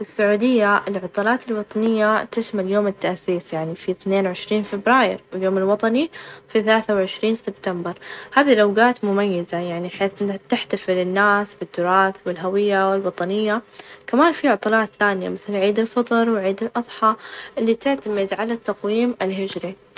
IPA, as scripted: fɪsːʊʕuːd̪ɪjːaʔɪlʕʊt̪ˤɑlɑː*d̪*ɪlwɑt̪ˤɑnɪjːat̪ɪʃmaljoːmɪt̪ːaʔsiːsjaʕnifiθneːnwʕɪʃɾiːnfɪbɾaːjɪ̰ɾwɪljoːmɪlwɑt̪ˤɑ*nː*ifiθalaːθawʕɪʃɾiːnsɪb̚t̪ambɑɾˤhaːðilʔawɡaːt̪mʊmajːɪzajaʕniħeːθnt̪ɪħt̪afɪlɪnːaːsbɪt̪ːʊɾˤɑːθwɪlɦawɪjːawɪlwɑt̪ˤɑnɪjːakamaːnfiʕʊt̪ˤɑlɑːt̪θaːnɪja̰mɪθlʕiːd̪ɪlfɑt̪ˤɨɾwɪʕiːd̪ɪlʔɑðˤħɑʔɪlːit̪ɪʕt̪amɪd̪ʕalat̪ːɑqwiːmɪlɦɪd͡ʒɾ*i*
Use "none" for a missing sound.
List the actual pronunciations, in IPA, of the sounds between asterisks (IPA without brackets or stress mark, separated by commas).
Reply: t̪, n, i